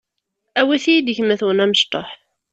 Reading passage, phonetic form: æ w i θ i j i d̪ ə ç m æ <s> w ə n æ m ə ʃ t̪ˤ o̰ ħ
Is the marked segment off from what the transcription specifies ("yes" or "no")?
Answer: yes